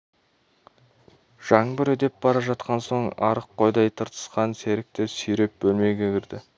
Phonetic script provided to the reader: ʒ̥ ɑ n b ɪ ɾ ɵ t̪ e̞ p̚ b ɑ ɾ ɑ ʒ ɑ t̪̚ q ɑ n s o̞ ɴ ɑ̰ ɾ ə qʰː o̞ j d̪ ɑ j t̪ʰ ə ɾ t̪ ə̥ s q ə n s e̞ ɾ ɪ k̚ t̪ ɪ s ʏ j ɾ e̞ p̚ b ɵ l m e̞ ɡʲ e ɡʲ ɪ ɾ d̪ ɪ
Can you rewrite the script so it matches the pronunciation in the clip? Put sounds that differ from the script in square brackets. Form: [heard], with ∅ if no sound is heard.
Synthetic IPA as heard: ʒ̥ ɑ [ɴ] b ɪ ɾ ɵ [d̪] e̞ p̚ b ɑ ɾ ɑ ʒ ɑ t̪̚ q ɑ n s o̞ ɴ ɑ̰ ɾ ə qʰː o̞ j d̪ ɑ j t̪ʰ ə ɾ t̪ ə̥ s q [ɑ] n s e̞ ɾ ɪ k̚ t̪ ɪ s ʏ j ɾ e̞ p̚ b ɵ l m e̞ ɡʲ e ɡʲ ɪ ɾ d̪ ɪ